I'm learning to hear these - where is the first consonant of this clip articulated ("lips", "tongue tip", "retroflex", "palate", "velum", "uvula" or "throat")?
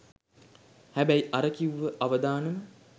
throat